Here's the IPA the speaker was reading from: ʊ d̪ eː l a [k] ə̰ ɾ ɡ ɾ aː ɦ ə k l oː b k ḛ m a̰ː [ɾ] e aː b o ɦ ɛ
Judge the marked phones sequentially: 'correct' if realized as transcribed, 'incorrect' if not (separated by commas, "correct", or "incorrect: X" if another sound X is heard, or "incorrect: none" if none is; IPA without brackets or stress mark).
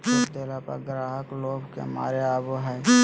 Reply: incorrect: p, correct